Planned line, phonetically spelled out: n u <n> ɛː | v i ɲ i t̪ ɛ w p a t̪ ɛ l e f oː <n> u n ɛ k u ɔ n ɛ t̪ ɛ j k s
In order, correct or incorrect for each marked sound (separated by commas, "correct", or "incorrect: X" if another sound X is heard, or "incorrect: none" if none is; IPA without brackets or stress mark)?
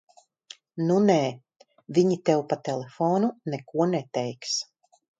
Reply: correct, correct